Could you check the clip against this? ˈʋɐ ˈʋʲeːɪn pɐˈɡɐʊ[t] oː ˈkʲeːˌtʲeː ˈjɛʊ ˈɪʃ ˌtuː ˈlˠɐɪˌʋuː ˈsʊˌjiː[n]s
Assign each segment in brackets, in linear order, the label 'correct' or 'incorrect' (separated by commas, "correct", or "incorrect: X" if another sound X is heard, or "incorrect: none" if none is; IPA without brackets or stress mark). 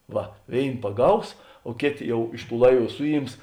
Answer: incorrect: s, incorrect: m